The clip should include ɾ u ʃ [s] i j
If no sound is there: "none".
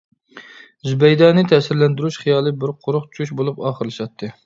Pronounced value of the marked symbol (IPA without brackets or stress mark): χ